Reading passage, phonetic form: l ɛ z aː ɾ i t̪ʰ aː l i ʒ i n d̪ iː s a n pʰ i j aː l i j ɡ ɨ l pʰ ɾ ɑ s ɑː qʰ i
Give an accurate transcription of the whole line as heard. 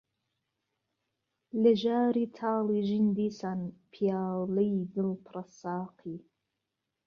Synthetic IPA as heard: l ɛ ʒ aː ɾ i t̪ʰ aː l i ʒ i n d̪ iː s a n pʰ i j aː l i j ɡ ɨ l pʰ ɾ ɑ s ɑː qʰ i